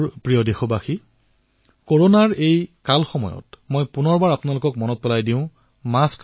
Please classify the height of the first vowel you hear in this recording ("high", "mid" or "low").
high